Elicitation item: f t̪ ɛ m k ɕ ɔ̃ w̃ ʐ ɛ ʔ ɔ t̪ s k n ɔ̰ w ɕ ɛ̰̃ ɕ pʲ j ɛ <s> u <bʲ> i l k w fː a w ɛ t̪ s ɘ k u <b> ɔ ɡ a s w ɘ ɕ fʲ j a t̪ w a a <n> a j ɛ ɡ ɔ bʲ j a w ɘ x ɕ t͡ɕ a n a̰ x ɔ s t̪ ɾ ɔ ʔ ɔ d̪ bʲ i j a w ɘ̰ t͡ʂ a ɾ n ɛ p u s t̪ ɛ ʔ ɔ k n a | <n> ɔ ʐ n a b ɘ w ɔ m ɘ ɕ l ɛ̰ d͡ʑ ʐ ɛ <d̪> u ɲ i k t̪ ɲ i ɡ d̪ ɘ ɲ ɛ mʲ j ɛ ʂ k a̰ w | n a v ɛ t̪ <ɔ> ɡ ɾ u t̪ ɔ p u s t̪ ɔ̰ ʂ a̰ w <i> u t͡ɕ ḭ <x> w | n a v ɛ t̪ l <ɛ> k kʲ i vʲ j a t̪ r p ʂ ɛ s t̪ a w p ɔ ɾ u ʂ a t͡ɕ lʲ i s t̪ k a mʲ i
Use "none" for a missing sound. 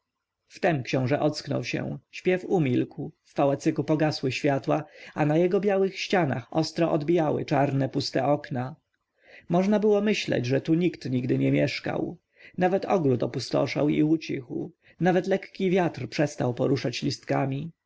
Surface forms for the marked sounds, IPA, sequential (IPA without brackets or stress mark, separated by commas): f, mʲ, p, n, m, t̪, ɔ, i, x, ɛ